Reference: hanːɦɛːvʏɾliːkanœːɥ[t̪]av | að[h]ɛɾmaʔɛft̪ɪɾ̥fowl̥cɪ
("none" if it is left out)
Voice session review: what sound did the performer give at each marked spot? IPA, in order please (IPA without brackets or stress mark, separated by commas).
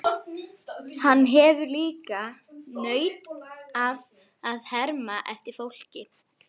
t̪, h